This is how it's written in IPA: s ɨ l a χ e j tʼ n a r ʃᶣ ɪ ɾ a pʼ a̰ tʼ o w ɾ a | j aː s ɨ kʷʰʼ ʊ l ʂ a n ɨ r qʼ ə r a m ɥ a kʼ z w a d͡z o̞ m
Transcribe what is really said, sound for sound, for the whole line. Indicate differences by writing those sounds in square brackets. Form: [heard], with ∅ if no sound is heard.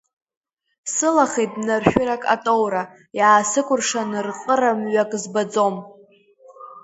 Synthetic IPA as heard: s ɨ l a χ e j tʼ n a r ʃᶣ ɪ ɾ a [kʼ] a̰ tʼ o w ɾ a | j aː s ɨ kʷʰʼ ʊ [r] ʂ a n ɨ r qʼ ə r a m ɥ a kʼ z [b] a d͡z o̞ m